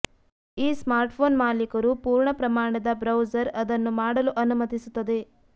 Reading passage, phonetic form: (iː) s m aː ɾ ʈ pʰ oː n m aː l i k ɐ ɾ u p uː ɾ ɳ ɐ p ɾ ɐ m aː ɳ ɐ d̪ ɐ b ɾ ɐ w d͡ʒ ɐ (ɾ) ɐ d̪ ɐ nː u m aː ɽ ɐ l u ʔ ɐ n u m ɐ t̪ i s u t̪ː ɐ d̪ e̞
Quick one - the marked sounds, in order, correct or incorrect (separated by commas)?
correct, correct